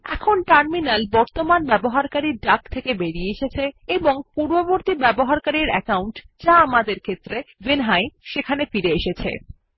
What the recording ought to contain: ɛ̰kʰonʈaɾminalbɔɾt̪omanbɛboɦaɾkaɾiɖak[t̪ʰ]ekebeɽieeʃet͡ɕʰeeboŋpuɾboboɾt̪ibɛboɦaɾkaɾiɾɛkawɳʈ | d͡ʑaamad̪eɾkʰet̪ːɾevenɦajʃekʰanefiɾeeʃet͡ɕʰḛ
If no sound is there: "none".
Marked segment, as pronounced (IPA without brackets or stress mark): t̪ʰ